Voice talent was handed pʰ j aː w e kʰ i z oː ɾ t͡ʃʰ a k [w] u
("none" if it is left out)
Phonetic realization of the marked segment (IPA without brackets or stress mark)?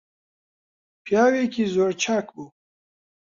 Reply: b